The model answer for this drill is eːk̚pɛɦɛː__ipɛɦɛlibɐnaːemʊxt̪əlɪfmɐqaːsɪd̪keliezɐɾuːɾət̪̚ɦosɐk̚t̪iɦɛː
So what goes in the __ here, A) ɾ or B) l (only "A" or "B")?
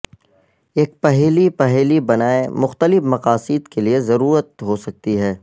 B